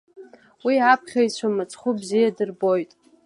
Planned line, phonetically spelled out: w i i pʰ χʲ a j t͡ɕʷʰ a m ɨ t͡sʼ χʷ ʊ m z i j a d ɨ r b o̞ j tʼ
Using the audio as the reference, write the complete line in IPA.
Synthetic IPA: w i a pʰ χʲ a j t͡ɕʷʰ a m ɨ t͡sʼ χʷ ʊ b z i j a d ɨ r b o̞ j tʼ